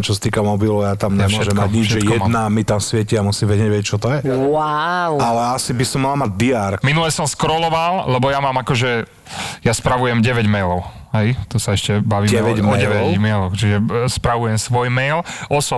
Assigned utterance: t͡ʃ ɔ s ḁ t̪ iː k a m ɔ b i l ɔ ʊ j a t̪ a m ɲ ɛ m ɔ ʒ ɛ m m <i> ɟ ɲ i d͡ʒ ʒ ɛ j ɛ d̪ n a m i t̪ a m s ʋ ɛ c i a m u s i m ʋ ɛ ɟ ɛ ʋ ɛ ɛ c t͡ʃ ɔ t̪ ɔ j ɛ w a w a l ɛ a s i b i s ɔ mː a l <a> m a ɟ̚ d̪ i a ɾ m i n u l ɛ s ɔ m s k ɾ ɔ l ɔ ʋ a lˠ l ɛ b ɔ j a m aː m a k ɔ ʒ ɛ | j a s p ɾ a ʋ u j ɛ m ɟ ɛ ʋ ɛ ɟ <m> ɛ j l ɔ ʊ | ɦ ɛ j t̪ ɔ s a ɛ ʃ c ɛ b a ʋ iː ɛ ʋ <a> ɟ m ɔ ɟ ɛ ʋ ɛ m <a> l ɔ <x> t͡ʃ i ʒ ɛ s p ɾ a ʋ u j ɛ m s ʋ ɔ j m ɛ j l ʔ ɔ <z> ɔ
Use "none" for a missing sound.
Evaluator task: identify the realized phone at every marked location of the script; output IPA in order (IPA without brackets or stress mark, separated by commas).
a, a, m, ɛ, ɛ, x, s